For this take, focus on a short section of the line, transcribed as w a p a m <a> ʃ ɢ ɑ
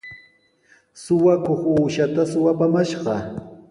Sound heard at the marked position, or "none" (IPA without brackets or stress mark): a